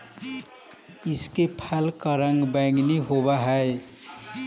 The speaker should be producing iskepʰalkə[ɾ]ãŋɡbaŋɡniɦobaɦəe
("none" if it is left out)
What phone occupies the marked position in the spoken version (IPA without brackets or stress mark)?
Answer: ɾ